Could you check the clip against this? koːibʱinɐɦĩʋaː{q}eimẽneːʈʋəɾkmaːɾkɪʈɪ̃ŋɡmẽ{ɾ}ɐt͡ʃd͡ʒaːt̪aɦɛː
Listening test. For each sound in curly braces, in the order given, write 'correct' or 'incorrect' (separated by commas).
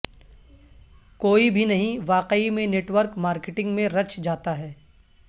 correct, correct